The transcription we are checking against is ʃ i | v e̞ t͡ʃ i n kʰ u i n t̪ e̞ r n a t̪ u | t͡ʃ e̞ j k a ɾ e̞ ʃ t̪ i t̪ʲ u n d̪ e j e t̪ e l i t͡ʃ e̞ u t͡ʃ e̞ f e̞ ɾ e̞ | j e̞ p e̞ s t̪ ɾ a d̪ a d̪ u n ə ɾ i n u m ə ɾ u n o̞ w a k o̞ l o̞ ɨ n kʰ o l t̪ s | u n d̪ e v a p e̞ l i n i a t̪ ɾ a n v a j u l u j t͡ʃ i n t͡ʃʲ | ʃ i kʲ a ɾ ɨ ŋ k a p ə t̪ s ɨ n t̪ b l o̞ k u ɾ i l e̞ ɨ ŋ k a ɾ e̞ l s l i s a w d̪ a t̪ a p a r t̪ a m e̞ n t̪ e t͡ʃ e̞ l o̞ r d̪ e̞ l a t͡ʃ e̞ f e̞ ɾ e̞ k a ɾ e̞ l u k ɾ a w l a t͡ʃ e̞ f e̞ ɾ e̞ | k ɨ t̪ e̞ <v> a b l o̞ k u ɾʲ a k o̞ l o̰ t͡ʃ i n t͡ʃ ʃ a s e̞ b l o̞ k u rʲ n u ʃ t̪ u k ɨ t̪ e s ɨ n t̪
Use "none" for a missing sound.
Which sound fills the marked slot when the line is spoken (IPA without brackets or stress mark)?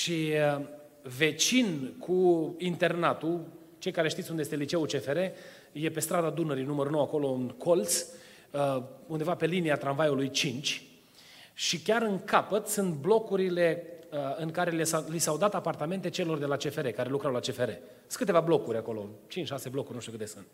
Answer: v